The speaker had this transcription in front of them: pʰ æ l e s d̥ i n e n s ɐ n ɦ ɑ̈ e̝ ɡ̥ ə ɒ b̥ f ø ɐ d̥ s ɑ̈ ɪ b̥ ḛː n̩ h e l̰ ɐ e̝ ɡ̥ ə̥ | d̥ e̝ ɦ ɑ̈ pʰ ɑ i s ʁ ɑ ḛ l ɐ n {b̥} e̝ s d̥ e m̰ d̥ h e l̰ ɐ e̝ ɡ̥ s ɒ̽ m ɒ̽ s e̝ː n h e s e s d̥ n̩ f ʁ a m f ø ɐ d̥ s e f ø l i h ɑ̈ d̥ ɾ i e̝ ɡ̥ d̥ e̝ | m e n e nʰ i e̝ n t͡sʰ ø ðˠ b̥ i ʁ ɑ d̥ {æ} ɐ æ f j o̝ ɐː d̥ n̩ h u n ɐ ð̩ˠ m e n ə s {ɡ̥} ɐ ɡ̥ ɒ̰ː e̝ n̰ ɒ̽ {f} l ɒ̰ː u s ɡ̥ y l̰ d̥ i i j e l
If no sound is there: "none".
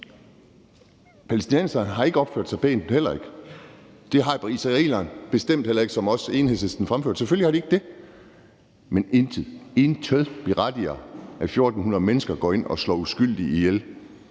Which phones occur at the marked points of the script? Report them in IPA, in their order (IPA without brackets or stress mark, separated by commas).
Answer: b̥, i, ɡ̥, s